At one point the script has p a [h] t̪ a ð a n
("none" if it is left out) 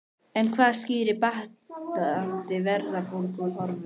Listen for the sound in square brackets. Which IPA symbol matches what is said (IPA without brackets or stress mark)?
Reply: h